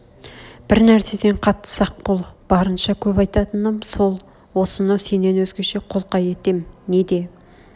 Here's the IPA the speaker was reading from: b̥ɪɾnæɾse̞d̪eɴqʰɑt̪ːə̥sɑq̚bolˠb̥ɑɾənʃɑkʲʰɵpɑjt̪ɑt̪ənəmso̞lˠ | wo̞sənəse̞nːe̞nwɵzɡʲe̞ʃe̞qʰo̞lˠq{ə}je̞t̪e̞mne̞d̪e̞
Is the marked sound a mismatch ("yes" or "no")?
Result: yes